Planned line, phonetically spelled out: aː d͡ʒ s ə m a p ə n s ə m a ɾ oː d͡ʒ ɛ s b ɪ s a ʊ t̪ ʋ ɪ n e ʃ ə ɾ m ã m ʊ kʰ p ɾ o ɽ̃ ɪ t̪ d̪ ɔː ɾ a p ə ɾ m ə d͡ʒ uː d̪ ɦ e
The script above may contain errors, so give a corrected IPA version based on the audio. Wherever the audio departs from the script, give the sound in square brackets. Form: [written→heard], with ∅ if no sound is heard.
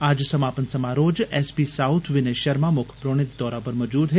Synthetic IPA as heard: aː d͡ʒ s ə m a p ə n s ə m a ɾ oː d͡ʒ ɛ s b [ɪ→i] s a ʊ [t̪→t̪ʰ] ʋ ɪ n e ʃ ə ɾ m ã m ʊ kʰ p ɾ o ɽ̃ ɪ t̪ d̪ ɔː ɾ a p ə ɾ m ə d͡ʒ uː d̪ ɦ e